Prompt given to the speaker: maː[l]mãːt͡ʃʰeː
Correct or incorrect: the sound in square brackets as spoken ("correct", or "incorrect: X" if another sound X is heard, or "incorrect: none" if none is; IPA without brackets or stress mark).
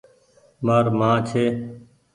incorrect: ɾ